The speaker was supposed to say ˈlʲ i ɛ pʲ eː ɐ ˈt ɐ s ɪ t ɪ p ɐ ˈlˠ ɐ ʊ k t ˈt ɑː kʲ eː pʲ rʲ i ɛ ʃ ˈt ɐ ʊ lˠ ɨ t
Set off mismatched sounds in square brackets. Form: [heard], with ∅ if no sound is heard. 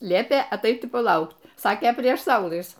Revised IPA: ˈlʲ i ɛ pʲ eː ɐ ˈt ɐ [∅] ɪ t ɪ p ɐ ˈlˠ ɐ ʊ k t [ˈs] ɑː kʲ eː pʲ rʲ i ɛ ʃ [ˈs] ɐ ʊ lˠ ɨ [s]

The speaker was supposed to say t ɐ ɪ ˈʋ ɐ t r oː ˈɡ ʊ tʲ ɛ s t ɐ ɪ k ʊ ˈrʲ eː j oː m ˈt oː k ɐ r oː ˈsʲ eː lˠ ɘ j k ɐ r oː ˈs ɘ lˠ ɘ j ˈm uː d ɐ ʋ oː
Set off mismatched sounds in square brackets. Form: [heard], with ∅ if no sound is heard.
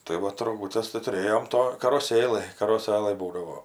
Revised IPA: t ɐ ɪ ˈʋ ɐ t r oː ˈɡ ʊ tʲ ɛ s t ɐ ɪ [t] ʊ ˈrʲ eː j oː m ˈt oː k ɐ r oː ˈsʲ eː lˠ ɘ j k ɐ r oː ˈs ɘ lˠ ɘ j [ˈb] uː d ɐ ʋ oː

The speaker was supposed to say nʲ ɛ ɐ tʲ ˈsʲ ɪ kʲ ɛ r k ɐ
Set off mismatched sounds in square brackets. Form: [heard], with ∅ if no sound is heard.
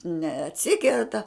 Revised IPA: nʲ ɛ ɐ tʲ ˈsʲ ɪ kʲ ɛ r [t] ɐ

